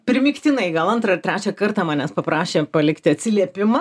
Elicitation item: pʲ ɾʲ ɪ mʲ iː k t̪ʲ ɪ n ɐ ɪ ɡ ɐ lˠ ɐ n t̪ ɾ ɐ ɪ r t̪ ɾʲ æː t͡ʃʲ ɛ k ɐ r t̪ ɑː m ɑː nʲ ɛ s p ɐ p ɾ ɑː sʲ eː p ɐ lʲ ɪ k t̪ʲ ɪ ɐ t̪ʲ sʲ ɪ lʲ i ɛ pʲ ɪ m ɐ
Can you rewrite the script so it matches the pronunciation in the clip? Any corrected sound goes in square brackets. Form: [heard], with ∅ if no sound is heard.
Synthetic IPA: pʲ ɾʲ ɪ mʲ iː k t̪ʲ ɪ n ɐ ɪ ɡ ɐ lˠ ɐ n t̪ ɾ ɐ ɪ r t̪ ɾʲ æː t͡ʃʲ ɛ k ɐ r t̪ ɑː m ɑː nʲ ɛ s p ɐ p ɾ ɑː [ʃʲ] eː p ɐ lʲ ɪ k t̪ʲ ɪ ɐ t̪ʲ sʲ ɪ lʲ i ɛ pʲ ɪ m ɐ